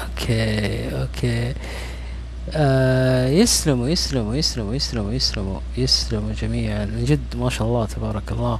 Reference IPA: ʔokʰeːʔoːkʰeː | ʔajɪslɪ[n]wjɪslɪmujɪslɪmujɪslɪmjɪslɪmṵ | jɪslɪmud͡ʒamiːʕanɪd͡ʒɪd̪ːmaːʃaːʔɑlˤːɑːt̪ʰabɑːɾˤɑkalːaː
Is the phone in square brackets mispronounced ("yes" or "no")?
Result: yes